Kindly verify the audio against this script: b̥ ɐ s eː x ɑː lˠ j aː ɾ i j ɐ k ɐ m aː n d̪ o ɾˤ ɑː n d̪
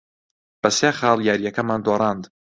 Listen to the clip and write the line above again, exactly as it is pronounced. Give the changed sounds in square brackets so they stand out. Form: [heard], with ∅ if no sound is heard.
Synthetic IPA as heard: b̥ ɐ s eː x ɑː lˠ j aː ɾ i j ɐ k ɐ m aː n d̪ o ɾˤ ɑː n d̪